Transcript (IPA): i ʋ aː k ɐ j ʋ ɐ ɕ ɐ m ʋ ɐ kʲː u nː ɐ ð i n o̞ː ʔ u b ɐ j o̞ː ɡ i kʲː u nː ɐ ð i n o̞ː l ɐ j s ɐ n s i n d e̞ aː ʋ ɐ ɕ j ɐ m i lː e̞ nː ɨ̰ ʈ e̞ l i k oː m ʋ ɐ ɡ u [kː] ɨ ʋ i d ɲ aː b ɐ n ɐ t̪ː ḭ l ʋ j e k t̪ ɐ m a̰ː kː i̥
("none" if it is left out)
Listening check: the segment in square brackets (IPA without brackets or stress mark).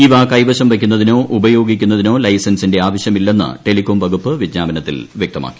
pː